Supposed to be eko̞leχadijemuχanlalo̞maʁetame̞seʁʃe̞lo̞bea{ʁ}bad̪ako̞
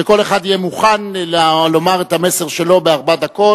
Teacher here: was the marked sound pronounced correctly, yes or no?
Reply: yes